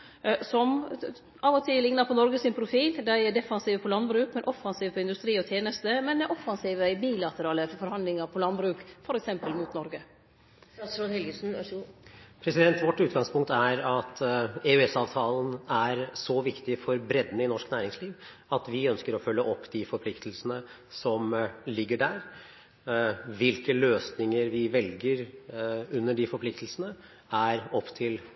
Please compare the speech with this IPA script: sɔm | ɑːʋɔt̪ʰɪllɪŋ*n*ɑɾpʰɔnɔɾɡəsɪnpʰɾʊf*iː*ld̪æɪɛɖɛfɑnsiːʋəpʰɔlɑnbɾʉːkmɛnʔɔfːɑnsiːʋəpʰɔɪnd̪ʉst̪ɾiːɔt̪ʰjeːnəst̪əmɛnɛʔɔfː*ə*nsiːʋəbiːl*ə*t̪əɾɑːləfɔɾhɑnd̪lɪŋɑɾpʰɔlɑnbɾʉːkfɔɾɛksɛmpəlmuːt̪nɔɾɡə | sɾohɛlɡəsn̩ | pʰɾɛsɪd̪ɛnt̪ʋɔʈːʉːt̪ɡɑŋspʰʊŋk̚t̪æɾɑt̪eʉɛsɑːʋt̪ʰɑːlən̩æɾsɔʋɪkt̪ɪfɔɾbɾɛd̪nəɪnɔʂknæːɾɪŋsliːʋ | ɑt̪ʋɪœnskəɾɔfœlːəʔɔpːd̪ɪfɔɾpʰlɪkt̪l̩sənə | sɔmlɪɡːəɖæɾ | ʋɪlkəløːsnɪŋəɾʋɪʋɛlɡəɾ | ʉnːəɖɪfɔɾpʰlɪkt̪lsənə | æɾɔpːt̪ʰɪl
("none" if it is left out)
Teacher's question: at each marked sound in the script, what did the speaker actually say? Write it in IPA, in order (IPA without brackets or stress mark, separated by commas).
n, iː, ɑ, ɑ